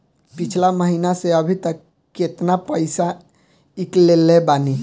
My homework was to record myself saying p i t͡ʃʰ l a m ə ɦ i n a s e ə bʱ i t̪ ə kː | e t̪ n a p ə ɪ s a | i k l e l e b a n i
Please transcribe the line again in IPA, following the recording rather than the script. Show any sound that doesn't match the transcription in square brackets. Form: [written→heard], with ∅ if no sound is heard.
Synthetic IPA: p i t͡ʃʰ l a m ə ɦ i n a s e ə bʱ i t̪ ə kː | e t̪ n a p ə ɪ s a | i k l e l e b a n i

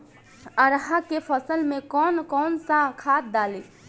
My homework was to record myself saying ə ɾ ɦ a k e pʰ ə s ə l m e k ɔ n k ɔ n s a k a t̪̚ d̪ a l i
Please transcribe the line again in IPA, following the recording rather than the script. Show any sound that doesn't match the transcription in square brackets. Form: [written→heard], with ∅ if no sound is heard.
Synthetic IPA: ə ɾ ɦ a k e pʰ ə s ə l m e k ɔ n k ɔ n s a [k→kʰ] a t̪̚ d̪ a l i

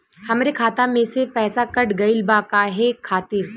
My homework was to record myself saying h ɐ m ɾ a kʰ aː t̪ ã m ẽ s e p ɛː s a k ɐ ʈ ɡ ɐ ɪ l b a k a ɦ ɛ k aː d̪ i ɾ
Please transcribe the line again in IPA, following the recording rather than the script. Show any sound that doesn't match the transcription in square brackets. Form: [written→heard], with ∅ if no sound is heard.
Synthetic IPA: h ɐ m ɾ [a→e] kʰ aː t̪ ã m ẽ s e p ɛː s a k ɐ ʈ ɡ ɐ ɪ l b a k a ɦ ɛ [k→kʰ] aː [d̪→t̪] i ɾ

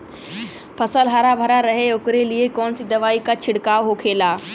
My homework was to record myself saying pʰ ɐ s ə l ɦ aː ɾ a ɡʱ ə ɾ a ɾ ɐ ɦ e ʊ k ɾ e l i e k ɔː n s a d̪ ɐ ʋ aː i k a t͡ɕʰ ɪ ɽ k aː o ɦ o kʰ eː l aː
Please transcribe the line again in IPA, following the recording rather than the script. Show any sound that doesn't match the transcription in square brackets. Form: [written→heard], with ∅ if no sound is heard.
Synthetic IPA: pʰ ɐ s ə l ɦ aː ɾ a [ɡʱ→bʱ] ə ɾ a ɾ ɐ ɦ e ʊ k ɾ e l i e k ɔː n s [a→i] d̪ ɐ ʋ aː i k a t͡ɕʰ ɪ ɽ k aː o ɦ o kʰ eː l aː

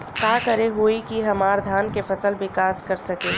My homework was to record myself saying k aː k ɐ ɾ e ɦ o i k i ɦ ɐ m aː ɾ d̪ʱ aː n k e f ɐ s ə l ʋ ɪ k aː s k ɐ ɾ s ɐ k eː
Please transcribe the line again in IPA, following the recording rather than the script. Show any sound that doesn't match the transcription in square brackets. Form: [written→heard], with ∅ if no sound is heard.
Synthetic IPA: k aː k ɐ ɾ e ɦ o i k i ɦ ɐ m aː ɾ d̪ʱ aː n k e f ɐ s ə l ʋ ɪ k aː s k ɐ ɾ s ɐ k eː

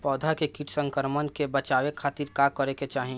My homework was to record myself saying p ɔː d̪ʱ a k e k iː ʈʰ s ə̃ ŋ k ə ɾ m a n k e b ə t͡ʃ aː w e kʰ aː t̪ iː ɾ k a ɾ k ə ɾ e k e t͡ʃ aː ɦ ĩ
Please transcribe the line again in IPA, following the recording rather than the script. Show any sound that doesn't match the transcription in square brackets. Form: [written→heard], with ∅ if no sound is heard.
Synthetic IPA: p ɔː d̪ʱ a k e k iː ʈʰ s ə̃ ŋ k ə ɾ m [a→ə] n k e b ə t͡ʃ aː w e kʰ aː t̪ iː ɾ k a [ɾ→∅] k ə ɾ e k e t͡ʃ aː ɦ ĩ

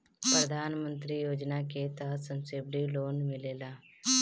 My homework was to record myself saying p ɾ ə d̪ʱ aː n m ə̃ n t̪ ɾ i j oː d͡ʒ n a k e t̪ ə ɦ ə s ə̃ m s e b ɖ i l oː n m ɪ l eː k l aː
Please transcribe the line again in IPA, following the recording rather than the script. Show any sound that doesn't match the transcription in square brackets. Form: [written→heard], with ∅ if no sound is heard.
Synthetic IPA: p ɾ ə d̪ʱ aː n m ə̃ n t̪ ɾ i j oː d͡ʒ n a k e t̪ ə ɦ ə s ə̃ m s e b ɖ i l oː n m ɪ l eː [k→∅] l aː

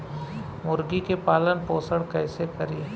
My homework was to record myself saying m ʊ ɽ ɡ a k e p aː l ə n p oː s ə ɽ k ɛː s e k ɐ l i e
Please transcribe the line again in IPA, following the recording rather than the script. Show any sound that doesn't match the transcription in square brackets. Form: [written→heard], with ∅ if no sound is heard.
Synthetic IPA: m ʊ [ɽ→ɾ] ɡ [a→i] k e p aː l ə n p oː s ə ɽ k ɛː s e k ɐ [l→ɾ] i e

